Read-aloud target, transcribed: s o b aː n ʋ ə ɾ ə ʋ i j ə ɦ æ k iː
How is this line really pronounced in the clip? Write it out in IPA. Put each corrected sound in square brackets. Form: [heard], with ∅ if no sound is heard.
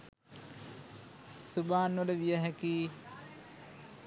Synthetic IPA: s [u] b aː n ʋ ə [l] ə ʋ i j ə ɦ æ k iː